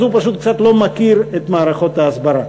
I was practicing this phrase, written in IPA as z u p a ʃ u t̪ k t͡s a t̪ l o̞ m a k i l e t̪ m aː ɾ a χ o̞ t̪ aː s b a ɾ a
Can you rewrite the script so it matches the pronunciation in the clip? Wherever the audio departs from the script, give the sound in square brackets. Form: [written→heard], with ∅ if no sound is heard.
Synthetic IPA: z u p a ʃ u t̪ k t͡s a t̪ l o̞ m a k i [l→ɾ] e t̪ m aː ɾ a χ o̞ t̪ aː s b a ɾ a